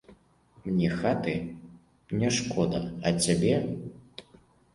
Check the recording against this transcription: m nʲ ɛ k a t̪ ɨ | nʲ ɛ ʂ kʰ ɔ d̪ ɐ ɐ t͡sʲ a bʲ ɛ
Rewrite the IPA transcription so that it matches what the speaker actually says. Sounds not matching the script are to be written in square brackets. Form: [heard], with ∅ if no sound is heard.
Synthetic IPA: m nʲ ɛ [x] a t̪ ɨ | nʲ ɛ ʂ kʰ ɔ d̪ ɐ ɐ t͡sʲ a bʲ ɛ